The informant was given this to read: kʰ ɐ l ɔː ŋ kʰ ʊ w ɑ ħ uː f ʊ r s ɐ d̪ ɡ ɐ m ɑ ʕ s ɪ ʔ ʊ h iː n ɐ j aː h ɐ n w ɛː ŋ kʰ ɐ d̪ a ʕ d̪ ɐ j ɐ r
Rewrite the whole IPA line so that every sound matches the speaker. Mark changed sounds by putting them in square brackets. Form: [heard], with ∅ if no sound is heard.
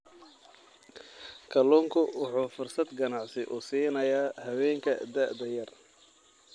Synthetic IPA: kʰ ɐ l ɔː ŋ kʰ ʊ w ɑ ħ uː f ʊ r s ɐ d̪ ɡ ɐ [n] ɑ ʕ s ɪ ʔ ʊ [s] iː n ɐ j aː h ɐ [∅] w ɛː ŋ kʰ ɐ d̪ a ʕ d̪ ɐ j ɐ r